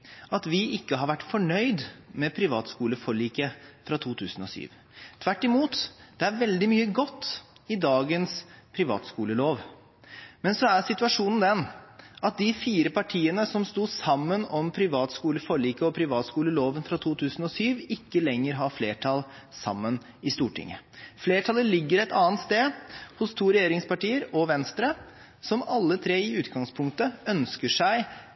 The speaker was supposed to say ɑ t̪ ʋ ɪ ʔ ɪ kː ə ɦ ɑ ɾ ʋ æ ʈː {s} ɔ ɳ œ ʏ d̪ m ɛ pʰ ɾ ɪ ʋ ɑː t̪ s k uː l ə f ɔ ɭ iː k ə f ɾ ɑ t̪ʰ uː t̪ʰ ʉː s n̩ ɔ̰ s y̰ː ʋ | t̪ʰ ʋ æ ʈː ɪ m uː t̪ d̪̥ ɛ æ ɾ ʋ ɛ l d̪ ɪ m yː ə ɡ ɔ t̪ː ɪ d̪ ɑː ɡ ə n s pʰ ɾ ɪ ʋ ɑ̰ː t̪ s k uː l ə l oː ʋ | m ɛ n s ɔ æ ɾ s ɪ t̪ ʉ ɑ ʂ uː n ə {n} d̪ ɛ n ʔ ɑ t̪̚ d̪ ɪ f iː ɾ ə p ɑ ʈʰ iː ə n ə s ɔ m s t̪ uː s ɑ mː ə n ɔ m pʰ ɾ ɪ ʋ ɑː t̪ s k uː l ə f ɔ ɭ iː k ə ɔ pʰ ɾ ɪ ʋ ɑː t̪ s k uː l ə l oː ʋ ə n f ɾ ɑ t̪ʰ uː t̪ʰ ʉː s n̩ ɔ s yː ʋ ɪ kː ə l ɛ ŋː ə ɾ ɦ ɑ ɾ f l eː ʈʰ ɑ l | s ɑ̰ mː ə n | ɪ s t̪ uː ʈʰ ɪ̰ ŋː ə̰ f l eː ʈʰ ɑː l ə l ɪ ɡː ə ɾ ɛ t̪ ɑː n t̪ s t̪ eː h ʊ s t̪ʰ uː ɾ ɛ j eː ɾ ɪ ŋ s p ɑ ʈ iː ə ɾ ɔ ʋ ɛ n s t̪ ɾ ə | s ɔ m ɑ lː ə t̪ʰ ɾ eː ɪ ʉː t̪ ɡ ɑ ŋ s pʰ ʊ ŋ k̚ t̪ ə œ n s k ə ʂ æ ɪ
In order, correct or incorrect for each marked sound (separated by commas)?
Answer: incorrect, correct